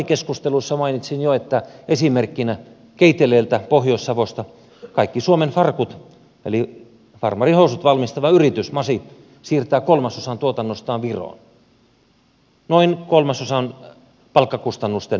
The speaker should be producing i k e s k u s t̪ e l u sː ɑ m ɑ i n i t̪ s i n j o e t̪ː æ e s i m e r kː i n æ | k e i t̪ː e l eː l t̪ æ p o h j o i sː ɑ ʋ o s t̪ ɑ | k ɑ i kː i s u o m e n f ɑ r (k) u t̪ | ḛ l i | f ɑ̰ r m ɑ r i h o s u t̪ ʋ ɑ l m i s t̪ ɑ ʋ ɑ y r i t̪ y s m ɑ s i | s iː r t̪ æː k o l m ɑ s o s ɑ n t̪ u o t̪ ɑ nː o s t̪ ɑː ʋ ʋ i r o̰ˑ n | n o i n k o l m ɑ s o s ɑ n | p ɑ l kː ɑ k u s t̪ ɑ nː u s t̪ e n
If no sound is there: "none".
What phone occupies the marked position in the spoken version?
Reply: k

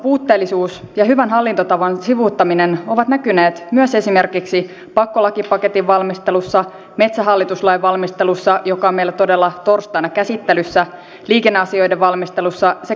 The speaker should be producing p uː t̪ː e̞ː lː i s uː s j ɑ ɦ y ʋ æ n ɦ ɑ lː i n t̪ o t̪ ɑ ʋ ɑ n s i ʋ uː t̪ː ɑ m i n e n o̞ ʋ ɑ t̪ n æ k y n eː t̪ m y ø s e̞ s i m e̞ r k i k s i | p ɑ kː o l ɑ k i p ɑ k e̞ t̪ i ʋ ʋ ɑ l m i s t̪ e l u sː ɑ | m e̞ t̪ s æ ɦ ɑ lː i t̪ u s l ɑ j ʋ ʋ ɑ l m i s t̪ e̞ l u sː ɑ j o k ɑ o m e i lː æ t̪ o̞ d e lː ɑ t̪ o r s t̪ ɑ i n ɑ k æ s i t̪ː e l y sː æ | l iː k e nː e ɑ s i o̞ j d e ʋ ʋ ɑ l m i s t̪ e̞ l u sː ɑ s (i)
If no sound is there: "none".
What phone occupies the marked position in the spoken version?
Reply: e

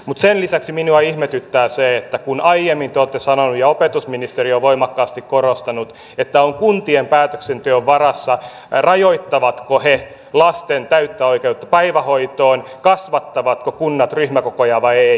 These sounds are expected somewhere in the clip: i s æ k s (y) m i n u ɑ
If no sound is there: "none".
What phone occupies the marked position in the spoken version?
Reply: i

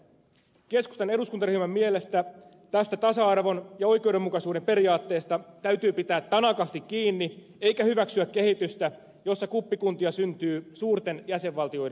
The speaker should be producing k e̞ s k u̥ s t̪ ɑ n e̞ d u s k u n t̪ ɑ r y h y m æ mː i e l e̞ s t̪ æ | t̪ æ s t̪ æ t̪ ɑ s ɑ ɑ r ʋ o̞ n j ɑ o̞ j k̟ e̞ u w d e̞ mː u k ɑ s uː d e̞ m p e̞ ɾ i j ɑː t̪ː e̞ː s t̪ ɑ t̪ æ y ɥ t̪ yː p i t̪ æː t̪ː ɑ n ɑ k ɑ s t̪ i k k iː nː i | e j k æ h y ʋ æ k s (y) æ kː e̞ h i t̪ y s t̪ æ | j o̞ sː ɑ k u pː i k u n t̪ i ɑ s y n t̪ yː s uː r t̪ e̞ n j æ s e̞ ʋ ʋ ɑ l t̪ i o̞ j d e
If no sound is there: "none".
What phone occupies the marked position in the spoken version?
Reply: y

